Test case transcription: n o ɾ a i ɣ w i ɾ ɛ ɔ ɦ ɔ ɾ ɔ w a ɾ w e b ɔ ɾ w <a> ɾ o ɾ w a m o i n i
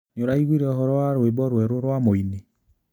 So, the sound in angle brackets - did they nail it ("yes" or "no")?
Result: no